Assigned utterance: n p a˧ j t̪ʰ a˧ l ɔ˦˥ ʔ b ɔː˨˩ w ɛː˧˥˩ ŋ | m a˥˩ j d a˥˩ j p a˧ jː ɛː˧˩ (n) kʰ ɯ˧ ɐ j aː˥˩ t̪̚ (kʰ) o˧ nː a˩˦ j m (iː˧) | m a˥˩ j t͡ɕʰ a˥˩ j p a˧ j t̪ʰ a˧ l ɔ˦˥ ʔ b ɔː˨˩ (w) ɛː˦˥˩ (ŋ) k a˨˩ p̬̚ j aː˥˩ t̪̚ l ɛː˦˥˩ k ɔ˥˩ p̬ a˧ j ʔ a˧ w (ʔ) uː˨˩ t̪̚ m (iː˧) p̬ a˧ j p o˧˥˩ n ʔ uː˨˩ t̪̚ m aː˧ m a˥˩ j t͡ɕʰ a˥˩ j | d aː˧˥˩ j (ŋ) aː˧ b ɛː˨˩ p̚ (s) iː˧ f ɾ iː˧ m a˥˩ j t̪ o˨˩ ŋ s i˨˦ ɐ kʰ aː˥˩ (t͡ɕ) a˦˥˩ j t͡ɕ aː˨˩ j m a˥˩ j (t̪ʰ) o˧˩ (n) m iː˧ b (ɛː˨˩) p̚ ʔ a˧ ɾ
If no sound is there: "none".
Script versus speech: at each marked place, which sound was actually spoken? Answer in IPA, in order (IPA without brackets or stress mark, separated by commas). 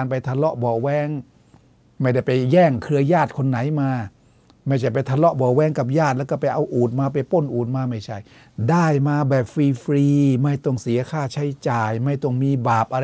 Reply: ŋ, kʰ, aː˧, w, ŋ, ʔ, aː˧, m, f, t͡ɕʰ, t̪, ŋ, aː˨˩